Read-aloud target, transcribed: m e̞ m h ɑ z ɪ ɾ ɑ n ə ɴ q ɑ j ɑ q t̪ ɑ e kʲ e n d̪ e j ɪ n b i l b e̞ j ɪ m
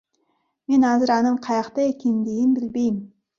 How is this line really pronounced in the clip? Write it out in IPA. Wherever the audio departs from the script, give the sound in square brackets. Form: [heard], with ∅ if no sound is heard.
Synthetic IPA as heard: m e̞ [n] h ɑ z ɪ ɾ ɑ n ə ɴ [qʰ] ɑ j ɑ q t̪ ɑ e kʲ e n d̪ e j ɪ n b [ɪ] l b e̞ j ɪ m